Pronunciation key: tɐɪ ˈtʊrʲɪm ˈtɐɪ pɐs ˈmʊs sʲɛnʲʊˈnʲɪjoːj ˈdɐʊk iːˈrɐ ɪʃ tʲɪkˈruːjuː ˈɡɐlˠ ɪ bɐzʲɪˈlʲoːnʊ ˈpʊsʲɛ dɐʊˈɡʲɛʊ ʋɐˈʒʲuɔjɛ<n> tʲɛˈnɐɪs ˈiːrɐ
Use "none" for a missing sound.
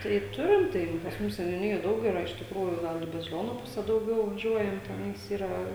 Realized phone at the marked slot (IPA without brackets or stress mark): m